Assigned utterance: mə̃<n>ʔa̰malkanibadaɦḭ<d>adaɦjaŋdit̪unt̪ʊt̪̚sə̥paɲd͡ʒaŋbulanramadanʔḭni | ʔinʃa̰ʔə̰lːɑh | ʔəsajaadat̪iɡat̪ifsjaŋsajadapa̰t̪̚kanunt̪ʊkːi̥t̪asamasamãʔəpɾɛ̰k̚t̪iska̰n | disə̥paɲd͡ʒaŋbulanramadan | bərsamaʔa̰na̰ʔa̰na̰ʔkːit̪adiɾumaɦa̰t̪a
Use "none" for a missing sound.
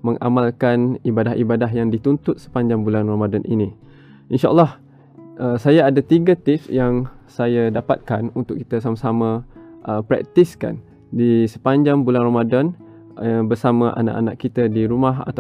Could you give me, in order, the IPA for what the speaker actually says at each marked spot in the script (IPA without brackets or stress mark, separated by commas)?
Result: ŋ, b